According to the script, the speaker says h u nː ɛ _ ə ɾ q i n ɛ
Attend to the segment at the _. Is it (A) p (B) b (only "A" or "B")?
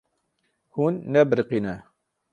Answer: B